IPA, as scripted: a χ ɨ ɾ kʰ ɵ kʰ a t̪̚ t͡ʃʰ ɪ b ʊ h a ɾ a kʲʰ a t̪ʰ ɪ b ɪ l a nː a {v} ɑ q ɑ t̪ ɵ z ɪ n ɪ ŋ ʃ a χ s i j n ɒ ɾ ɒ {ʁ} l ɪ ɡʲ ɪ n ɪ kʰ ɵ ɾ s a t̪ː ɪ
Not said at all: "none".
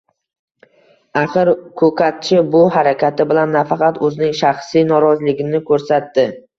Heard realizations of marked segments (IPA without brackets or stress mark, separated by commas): f, z